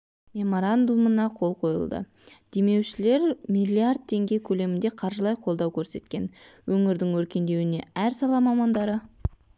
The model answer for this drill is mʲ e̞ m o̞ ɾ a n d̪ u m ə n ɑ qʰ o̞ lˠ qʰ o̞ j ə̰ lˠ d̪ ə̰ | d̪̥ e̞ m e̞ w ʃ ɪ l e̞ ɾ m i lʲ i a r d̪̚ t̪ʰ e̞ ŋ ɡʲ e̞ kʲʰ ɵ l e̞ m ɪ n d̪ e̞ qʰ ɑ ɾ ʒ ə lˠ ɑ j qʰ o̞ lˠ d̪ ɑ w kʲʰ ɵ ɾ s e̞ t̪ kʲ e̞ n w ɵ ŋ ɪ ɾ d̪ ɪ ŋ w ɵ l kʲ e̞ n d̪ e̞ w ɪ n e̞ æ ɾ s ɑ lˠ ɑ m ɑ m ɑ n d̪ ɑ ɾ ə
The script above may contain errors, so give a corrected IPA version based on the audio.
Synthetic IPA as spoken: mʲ e̞ m o̞ ɾ a n d̪ u m ə n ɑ qʰ o̞ lˠ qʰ o̞ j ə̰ lˠ d̪ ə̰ | d̪̥ e̞ m e̞ w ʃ ɪ l e̞ ɾ m i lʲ i a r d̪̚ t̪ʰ e̞ ŋ ɡʲ e̞ kʲʰ ɵ l e̞ m ɪ n d̪ e̞ qʰ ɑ ɾ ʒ ə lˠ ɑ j qʰ o̞ lˠ d̪ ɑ w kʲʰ ɵ ɾ s e̞ t̪ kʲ e̞ n w ɵ ŋ ɪ ɾ d̪ ɪ ŋ w ɵ ɾ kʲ e̞ n d̪ e̞ w ɪ n e̞ æ ɾ s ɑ lˠ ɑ m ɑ m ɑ n d̪ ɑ ɾ ə